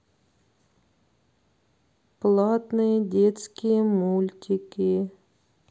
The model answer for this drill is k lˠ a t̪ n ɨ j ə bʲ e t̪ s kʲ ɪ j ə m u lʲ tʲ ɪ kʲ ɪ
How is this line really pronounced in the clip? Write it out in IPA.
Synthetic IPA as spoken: p lˠ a t̪ n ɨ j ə dʲ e t̪ s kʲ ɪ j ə m u lʲ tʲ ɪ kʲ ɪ